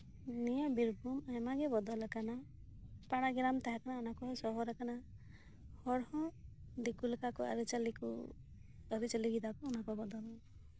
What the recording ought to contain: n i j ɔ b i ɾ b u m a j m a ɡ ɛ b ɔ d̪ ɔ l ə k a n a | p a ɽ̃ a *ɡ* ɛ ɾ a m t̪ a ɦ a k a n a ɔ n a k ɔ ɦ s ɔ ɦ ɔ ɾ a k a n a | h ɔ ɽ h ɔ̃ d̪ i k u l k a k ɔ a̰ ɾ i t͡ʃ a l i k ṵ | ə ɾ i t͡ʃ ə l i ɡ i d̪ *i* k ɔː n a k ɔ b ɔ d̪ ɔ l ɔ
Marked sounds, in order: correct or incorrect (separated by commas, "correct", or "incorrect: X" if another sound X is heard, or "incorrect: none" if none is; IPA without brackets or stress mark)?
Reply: correct, incorrect: a